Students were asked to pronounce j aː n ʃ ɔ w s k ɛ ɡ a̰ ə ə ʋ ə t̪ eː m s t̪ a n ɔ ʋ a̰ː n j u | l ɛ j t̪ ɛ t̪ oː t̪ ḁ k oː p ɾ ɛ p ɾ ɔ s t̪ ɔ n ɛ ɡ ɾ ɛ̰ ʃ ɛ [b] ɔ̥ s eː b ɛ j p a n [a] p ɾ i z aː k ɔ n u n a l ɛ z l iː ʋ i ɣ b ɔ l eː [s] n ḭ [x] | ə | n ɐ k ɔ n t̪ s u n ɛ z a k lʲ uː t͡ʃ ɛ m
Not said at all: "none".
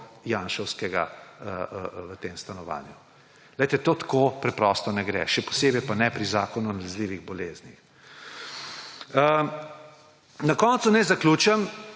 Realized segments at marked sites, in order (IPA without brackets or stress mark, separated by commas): p, ɛ, z, x